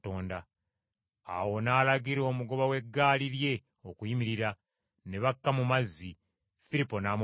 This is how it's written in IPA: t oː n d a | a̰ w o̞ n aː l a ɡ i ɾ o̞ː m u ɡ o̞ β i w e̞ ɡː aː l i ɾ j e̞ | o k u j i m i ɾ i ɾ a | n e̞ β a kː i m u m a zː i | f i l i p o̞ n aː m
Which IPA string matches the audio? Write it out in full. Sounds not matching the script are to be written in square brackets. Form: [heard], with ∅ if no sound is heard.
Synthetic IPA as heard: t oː n d a | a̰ w o̞ n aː l a ɡ i ɾ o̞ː m u ɡ o̞ β [a] w e̞ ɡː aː l i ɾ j e̞ | o k u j i m i ɾ i ɾ a | n e̞ β a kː [a] m u m a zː i | f i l i p o̞ n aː m